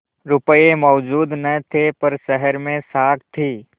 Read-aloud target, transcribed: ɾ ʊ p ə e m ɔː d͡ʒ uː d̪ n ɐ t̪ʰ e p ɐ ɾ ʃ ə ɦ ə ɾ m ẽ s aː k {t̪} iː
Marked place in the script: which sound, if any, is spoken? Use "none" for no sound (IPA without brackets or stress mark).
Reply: t̪ʰ